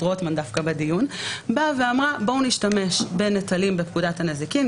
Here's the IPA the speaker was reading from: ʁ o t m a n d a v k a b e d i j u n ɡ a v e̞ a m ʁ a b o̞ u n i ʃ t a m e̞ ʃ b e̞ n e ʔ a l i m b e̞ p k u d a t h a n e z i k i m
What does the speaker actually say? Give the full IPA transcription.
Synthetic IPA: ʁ o t m a n d a f k a b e d i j u n b a v e̞ a m ʁ a b o̞ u n i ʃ t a m e̞ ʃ b e̞ n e t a l i m b e̞ p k u d a t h a n e z i k i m